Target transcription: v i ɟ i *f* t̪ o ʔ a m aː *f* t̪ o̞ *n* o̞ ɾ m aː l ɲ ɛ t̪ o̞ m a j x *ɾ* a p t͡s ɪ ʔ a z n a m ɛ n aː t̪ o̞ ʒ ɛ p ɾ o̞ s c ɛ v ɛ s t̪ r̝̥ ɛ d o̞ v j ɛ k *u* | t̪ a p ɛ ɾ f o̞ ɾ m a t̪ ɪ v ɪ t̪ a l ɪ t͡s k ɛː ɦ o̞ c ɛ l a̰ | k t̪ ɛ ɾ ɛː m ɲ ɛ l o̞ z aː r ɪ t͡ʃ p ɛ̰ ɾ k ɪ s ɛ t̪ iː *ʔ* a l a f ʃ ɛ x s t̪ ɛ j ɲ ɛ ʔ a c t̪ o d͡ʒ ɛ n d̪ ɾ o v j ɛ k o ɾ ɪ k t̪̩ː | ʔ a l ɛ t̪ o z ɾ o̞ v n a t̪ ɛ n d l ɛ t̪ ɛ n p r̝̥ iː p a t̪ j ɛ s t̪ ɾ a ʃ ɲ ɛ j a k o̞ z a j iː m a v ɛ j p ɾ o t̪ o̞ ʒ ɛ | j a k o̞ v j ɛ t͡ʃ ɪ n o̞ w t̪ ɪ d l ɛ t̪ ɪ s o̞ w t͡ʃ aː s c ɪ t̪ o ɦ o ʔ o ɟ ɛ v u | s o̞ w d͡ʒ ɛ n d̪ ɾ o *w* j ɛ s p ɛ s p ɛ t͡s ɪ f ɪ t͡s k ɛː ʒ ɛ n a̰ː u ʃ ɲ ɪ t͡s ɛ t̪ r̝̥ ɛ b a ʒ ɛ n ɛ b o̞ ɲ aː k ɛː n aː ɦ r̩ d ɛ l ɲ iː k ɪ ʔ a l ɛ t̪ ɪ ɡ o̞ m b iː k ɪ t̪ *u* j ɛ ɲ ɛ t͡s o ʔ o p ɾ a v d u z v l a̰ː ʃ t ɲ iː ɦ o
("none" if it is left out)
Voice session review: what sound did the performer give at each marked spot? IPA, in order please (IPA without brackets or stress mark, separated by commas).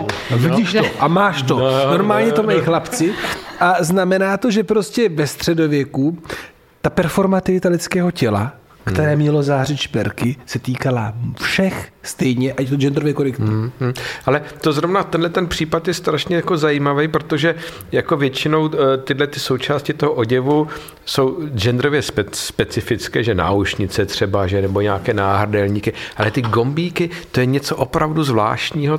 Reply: ʃ, ʃ, n, l, u, k, v, o